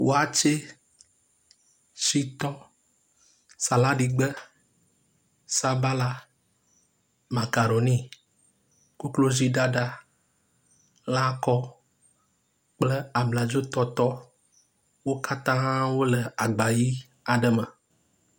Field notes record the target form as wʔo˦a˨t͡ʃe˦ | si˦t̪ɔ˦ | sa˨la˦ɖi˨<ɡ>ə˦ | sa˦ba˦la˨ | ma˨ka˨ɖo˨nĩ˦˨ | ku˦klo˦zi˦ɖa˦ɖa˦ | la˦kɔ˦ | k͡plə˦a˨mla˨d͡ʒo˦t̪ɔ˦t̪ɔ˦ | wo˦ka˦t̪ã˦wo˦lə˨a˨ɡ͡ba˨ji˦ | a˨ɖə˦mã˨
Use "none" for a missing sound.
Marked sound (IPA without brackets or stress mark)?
ɡ͡b